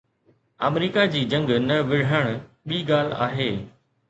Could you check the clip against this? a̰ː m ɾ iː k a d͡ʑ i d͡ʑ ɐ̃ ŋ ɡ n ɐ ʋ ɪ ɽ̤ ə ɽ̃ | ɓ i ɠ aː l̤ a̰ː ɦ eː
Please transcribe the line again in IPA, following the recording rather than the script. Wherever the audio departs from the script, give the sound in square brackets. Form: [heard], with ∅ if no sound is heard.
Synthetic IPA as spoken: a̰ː m ɾ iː k a d͡ʑ [iː] d͡ʑ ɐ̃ ŋ ɡ n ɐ ʋ ɪ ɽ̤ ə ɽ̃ | ɓ [iː] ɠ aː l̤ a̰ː ɦ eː